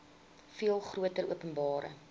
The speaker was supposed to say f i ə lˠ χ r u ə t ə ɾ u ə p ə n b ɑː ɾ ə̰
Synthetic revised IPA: f i ə lˠ χ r u ə t ə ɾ u ə p ə n b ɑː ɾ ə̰